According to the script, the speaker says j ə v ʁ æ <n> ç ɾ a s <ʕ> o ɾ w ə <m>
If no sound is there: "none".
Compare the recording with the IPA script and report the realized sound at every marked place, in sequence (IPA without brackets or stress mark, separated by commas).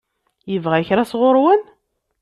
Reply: none, ʁ, n